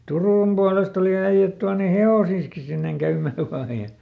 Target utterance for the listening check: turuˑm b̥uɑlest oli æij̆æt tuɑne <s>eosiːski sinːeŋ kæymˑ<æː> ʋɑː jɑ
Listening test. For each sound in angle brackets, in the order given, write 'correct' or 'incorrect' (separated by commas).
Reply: incorrect, correct